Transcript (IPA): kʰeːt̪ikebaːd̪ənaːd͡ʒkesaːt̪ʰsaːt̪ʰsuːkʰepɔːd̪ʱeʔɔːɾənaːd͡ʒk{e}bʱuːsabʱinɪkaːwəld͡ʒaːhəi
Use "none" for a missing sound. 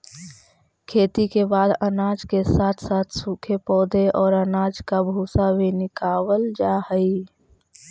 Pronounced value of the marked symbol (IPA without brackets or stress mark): a